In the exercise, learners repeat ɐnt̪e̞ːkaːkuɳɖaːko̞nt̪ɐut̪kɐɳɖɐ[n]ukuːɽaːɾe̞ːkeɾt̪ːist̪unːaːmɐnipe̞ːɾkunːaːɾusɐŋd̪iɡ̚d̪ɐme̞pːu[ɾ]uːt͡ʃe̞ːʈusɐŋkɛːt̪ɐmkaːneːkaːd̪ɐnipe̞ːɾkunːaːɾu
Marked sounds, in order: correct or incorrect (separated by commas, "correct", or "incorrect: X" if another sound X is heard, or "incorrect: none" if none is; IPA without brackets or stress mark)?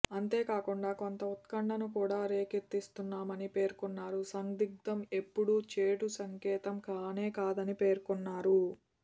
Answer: correct, incorrect: ɽ